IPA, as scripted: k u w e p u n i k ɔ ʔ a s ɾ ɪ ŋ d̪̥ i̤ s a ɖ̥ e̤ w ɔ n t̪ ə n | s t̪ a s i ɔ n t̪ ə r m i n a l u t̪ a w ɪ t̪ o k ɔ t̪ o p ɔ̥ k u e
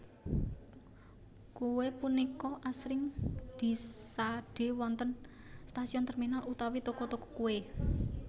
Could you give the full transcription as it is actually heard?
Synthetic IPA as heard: k u w e p u n i k ɔ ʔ a s ɾ ɪ ŋ d̪̥ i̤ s a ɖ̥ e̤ w ɔ n t̪ ə n | s t̪ a s i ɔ n t̪ ə r m i n a l u t̪ a w i t̪ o k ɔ t̪ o k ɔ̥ k u e